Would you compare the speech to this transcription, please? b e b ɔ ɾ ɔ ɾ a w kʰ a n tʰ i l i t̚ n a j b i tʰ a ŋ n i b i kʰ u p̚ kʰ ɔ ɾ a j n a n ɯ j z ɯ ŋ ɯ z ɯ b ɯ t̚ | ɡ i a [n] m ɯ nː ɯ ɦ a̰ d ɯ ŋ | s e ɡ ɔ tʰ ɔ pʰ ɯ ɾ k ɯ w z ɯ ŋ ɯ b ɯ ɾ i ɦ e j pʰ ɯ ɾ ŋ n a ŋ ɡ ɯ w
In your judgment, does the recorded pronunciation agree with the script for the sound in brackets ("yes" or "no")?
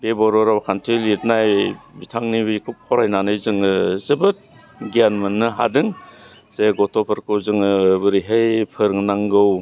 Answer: yes